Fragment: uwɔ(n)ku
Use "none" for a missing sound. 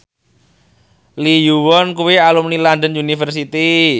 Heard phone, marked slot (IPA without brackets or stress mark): n